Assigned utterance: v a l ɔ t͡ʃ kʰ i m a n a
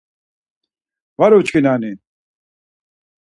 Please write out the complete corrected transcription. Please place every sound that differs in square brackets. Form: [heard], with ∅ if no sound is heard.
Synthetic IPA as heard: v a [ɾ] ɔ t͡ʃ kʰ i [n] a n [i]